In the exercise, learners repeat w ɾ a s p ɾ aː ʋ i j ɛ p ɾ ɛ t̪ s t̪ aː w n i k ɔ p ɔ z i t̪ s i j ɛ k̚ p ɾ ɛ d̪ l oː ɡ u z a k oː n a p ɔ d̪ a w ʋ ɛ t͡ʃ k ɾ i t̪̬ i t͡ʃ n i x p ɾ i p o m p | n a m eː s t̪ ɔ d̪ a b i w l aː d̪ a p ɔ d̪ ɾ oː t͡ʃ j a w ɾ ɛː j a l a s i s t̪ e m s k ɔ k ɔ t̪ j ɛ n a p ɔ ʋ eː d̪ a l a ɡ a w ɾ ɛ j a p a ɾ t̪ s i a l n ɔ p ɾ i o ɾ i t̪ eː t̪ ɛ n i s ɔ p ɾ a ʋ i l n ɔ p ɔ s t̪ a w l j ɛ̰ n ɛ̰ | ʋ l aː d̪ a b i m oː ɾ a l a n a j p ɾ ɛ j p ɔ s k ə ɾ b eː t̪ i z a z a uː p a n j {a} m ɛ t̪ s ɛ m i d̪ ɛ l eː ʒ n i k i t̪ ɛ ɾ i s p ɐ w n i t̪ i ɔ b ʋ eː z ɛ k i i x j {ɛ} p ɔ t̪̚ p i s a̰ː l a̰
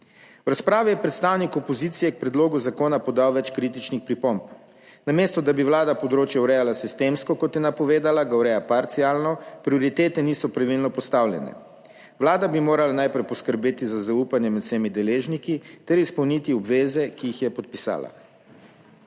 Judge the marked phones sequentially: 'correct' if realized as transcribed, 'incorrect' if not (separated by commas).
incorrect, correct